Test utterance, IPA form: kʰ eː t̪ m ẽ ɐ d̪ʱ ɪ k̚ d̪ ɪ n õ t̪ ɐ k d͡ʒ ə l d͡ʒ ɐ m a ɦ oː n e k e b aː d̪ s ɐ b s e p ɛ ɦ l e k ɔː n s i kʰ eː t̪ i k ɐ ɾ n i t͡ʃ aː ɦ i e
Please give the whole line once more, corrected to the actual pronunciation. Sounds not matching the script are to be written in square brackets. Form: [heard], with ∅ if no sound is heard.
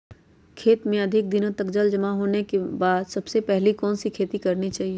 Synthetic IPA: kʰ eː t̪ m ẽ ɐ d̪ʱ ɪ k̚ d̪ ɪ n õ t̪ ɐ k d͡ʒ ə l d͡ʒ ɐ m a ɦ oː n e k e b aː d̪ s ɐ b s e p ɛ ɦ l [i] k ɔː n s i kʰ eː t̪ i k ɐ ɾ n i t͡ʃ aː ɦ i e